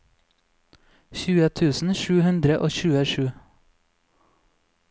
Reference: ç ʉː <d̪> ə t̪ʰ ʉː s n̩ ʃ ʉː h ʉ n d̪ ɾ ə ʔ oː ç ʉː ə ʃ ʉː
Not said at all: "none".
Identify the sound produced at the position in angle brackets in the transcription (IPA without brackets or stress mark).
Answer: none